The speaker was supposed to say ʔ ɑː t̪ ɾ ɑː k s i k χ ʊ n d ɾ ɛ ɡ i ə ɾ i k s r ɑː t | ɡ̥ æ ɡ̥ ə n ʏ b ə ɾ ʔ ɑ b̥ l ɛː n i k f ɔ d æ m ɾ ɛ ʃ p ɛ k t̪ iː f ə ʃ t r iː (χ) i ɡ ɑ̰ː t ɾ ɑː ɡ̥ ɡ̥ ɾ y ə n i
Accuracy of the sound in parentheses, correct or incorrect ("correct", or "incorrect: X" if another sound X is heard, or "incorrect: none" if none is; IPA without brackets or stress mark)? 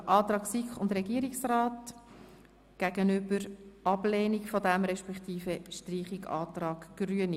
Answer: correct